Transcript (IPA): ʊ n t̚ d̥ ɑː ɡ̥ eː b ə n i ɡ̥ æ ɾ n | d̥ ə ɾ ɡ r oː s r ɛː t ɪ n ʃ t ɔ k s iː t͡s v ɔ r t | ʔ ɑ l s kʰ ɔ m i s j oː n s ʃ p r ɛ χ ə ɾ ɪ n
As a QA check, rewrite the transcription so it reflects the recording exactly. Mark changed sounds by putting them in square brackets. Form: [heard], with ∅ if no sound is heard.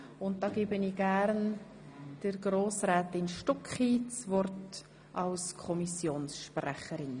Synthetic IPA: ʊ n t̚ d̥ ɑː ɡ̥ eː b ə n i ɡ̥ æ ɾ n | d̥ ə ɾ ɡ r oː s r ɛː t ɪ n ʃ t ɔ k [χ] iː t͡s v ɔ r t | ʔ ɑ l s kʰ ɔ m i s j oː n s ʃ p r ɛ χ ə ɾ ɪ n

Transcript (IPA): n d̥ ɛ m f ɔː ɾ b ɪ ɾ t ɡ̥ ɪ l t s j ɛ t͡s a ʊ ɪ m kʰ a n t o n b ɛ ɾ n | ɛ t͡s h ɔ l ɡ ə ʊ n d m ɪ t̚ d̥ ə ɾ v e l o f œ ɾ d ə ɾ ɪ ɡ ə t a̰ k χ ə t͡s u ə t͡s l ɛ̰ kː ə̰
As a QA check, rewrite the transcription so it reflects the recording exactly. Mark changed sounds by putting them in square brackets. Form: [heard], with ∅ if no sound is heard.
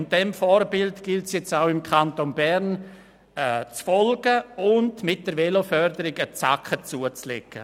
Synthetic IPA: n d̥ ɛ m f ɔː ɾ b ɪ [l] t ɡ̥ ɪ l t s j ɛ t͡s a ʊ ɪ m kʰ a n t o n b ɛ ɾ n | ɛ t͡s [f] ɔ l ɡ ə ʊ n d m ɪ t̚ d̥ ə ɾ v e l o f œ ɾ d ə ɾ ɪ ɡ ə [t͡s] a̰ k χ ə t͡s u ə t͡s l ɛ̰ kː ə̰

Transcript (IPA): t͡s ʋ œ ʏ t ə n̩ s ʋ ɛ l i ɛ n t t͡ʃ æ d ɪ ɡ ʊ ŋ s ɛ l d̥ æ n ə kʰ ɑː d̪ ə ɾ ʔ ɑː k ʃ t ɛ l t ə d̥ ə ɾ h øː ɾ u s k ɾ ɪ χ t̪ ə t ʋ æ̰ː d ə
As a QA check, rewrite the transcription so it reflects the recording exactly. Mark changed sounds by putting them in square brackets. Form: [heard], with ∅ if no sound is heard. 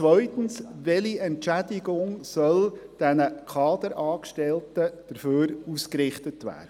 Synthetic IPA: t͡s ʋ œ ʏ t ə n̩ s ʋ ɛ l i ɛ n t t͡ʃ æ d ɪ ɡ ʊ ŋ s [œ] l d̥ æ n ə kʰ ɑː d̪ ə ɾ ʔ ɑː k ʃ t ɛ l t ə d̥ ə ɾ [f] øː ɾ u s k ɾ ɪ χ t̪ ə t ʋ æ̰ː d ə

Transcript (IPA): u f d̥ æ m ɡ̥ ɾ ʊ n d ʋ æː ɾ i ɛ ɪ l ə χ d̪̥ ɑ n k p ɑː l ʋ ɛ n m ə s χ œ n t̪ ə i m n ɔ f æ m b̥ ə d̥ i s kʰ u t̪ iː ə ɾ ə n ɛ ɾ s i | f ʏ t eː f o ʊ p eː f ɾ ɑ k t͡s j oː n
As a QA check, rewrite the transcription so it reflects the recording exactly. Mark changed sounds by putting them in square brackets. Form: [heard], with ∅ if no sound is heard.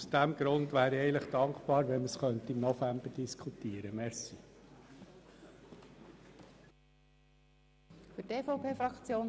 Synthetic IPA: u [s] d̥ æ m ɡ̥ ɾ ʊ n d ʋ æː ɾ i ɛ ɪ l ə χ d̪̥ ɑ [ŋ] k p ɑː [ɾ] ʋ ɛ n m ə s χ œ n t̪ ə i m n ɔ f æ m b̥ ə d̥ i s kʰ u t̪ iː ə ɾ ə [m] ɛ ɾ s i | f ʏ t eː f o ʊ p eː f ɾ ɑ k t͡s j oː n

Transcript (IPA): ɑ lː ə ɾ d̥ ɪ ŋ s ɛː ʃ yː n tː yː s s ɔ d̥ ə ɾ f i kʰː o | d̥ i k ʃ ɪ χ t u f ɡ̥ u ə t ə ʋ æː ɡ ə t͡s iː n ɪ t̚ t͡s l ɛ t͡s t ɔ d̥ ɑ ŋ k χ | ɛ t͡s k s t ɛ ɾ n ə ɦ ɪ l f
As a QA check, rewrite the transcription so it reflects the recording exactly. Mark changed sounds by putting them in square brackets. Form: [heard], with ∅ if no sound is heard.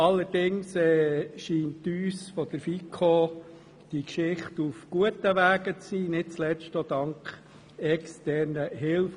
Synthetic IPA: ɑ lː ə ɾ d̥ ɪ ŋ s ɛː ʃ [iː] n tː yː s [f] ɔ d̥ ə ɾ f i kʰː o | d̥ i k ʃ ɪ χ t u f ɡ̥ u ə t ə ʋ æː ɡ ə t͡s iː n ɪ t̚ t͡s l ɛ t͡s t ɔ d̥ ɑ ŋ k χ | ɛ [∅] k s t ɛ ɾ n ə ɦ ɪ l f

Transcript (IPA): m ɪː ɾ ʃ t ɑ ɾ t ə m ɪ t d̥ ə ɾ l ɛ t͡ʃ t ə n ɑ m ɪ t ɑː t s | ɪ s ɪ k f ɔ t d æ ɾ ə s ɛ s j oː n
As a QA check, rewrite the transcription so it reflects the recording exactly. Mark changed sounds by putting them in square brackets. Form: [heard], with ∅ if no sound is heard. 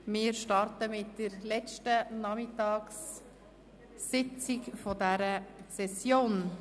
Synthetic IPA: m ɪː ɾ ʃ t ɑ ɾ t ə m ɪ t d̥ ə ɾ l ɛ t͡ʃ t ə n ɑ m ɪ t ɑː [k] s | ɪ [t͡s] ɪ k f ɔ [∅] d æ ɾ ə s ɛ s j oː n

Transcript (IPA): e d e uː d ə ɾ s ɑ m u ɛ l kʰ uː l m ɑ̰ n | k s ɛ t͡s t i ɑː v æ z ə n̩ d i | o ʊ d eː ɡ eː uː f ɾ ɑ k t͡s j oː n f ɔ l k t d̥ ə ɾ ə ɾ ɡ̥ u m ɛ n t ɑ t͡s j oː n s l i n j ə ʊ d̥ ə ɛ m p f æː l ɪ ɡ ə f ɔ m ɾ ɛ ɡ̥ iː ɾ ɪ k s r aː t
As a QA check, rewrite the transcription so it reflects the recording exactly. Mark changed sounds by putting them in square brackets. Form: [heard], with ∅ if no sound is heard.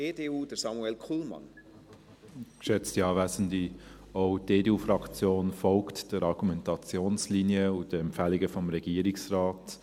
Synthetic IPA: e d e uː d ə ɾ s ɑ m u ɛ l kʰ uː l m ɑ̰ n | k [ʃ] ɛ t͡s t i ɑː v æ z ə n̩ d i | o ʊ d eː [d] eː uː f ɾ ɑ k t͡s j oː n f ɔ l k t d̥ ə ɾ [ɑ] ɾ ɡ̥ u m ɛ n t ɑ t͡s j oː n s l i n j ə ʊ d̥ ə ɛ m p f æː l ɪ ɡ ə f ɔ m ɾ ɛ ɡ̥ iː ɾ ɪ k s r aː t

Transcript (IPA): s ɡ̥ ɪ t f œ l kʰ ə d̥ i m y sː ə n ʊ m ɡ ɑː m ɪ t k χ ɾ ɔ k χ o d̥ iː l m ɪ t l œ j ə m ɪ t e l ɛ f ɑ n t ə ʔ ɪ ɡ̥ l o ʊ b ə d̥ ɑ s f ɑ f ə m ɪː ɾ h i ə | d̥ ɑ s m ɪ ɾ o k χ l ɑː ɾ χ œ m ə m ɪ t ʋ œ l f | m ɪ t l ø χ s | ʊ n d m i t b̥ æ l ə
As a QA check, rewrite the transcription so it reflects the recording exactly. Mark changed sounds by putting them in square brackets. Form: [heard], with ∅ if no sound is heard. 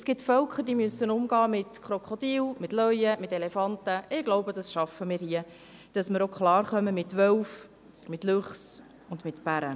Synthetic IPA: s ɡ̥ ɪ t f œ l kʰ ə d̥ i m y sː ə n ʊ m ɡ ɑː m ɪ t k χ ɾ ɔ k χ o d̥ iː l m ɪ t l œ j ə m ɪ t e l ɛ f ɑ n t ə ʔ ɪ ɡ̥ l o ʊ b ə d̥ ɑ s [ʃ] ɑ f ə m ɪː ɾ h i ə | d̥ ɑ s m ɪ ɾ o k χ l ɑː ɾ χ œ m ə m ɪ t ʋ œ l f | m ɪ t l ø χ s | ʊ n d m [ɪ] t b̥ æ [ɾ] ə

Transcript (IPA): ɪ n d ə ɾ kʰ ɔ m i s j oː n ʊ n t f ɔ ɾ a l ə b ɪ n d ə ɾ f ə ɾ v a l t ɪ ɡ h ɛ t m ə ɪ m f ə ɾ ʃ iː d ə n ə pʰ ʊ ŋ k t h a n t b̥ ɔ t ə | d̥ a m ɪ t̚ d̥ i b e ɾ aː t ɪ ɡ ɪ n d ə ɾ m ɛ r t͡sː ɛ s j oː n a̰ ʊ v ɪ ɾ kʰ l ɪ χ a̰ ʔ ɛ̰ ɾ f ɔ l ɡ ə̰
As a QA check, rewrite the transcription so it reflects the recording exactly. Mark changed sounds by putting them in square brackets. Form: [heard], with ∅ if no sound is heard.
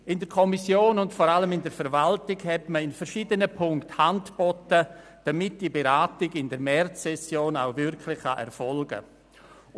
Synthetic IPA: ɪ n d ə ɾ kʰ ɔ m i s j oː n ʊ n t f ɔ ɾ a l ə [m] ɪ n d ə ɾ f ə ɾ v a l t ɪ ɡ h ɛ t m ə ɪ [n] f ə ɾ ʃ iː d ə n ə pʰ ʊ ŋ k t h a n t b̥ ɔ t ə | d̥ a m ɪ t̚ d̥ i b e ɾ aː t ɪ ɡ ɪ n d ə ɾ m ɛ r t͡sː ɛ s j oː n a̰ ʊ v ɪ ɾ kʰ l ɪ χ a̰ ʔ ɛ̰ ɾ f ɔ l ɡ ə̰

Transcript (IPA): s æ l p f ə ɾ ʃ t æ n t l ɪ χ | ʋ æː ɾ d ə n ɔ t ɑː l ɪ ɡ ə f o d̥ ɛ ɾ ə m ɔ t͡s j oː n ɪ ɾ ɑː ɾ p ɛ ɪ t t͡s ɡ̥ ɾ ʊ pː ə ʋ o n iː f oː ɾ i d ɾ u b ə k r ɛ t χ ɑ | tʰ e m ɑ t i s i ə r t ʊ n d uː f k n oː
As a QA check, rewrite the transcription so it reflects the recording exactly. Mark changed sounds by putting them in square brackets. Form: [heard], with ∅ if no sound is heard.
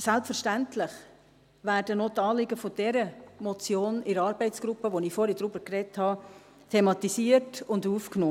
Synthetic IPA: s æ l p f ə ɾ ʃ t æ n t l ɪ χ | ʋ æː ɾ d ə n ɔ t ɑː l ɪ ɡ ə f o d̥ ɛ ɾ ə m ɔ t͡s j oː n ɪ ɾ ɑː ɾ [b] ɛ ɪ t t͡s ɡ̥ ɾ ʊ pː ə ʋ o n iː f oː ɾ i d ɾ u b ə k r ɛ t [h] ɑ | tʰ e m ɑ t i s i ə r t ʊ n d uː f k n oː

